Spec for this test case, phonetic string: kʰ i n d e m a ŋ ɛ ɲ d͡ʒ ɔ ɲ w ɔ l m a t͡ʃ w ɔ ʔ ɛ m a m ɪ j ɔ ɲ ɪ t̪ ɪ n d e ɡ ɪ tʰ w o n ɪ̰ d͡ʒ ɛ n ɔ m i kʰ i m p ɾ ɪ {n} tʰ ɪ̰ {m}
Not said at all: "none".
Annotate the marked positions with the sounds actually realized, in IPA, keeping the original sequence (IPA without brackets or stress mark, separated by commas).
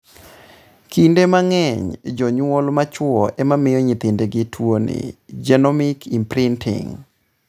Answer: n, ŋ